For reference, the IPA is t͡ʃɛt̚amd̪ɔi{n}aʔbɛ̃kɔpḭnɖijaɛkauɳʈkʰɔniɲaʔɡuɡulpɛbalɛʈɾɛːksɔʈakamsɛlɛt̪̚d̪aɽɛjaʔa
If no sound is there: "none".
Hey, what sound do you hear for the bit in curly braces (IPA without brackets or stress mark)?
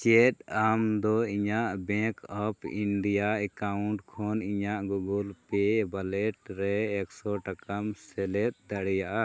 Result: ɲ